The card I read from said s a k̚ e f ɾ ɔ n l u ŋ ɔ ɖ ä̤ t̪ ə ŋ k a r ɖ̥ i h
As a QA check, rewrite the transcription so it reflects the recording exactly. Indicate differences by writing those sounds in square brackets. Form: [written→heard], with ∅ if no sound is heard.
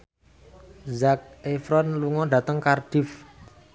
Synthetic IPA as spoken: [s→z] a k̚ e f ɾ ɔ n l u ŋ ɔ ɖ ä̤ t̪ ə ŋ k a r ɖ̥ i [h→f]